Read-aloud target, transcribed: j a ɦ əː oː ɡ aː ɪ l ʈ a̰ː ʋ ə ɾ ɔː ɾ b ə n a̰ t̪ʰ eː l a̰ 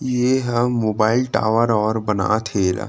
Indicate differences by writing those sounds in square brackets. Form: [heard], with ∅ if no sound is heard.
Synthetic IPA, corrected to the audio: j [e] ɦ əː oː [b] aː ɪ l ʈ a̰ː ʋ ə ɾ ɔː ɾ b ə n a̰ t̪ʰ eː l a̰